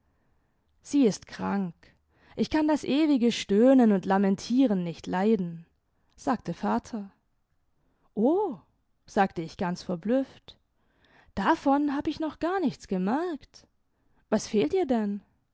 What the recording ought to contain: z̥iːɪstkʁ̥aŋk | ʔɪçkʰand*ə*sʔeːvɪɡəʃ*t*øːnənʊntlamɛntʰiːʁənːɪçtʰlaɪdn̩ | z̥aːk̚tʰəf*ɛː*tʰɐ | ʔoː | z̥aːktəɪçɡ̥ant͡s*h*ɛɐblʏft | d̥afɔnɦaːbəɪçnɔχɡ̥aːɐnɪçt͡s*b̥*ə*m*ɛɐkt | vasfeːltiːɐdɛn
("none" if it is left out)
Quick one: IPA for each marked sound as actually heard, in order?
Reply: a, t, aː, f, ɡ̥, m

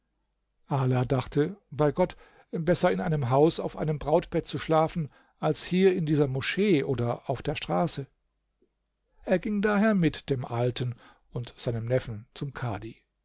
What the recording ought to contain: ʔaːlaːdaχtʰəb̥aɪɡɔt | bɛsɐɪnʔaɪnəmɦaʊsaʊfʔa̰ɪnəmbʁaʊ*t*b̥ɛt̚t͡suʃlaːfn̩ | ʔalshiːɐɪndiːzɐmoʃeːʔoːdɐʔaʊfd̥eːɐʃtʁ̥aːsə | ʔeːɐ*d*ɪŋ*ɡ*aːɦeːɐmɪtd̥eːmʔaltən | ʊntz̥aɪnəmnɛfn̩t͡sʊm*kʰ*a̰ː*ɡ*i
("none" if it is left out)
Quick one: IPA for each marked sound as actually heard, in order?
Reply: t, ɡ, d, kʰ, d

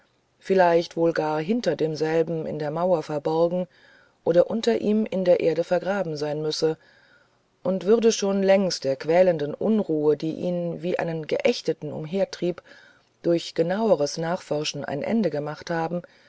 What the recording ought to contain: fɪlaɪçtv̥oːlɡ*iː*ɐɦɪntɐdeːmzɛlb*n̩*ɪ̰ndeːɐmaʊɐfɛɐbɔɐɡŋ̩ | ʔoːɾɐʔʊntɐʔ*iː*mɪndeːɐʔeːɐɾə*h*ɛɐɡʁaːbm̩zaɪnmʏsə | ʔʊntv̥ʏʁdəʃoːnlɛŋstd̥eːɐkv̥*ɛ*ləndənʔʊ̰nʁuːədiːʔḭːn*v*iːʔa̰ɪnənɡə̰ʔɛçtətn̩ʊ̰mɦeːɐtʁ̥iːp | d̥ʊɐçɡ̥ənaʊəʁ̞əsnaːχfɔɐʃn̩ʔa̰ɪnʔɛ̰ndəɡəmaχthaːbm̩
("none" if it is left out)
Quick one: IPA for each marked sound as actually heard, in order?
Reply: aː, m̩, iː, f, ɛː, v

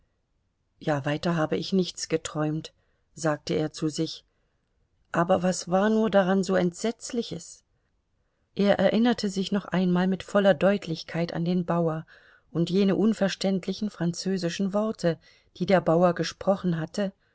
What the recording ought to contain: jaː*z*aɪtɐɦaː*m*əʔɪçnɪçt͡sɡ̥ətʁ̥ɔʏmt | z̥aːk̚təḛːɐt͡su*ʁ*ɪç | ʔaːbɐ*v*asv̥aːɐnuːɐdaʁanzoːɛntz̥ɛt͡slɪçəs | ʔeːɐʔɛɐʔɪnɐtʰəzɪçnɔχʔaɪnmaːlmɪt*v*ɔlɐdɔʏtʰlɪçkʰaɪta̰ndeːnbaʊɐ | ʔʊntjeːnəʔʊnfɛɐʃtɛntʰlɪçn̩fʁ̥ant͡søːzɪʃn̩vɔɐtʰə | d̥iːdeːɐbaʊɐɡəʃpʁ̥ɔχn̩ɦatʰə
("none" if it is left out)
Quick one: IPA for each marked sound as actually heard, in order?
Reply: v, b, z, v, f

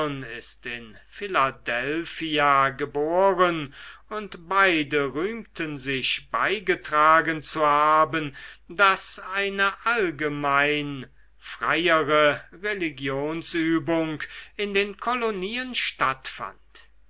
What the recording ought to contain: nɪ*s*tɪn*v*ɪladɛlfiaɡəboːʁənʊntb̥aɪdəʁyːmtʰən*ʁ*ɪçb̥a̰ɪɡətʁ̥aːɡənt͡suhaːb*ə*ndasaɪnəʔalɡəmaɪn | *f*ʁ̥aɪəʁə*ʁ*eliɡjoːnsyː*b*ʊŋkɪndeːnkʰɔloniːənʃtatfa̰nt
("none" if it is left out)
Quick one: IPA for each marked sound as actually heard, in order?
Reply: s, f, z, ə, f, ʁ, b

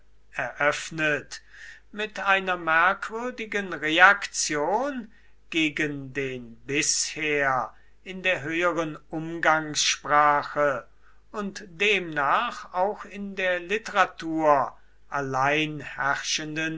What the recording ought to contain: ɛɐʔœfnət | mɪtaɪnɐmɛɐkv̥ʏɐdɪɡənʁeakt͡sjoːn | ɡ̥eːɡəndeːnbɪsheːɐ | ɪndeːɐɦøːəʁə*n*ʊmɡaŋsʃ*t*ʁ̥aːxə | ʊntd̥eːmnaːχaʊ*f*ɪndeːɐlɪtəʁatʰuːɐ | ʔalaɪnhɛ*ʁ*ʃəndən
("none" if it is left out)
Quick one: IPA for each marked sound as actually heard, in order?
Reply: n, p, x, ʁ

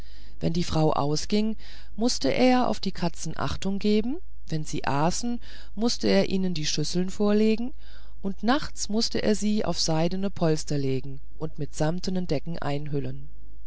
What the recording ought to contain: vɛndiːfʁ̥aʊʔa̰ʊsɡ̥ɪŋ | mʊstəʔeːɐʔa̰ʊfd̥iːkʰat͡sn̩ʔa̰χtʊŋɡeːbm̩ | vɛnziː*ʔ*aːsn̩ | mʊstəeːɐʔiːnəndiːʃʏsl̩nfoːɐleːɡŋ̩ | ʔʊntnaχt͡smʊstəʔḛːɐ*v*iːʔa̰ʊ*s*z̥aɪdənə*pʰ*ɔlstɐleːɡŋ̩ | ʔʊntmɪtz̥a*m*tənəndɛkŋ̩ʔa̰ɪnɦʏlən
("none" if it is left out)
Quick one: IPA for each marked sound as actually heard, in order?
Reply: ʔ, z, f, pʰ, m

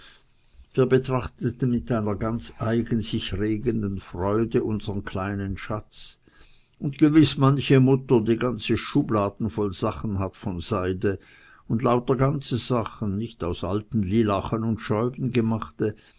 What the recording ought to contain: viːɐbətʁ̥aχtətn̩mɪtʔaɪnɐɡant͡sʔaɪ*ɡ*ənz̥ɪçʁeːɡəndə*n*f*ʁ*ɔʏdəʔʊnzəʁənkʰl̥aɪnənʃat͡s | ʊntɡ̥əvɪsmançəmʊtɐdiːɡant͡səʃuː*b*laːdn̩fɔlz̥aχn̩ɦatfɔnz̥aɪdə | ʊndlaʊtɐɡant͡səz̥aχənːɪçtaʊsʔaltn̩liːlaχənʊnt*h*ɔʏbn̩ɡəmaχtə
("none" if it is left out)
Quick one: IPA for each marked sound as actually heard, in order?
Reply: ɡ, n, ʁ, b, ʃ

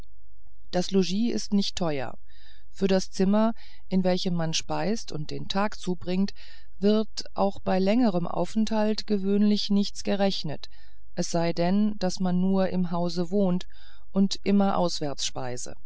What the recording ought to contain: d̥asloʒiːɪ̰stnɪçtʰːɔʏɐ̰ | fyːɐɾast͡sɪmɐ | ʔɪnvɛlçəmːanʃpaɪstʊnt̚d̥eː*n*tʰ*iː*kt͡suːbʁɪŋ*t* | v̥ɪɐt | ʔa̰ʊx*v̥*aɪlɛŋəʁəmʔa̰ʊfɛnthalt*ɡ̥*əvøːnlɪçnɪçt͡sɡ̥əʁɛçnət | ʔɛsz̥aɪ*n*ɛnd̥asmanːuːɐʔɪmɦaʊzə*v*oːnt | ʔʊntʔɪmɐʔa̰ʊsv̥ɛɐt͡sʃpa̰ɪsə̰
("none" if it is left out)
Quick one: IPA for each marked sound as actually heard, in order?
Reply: n, aː, t, b̥, ɡ̥, d, v

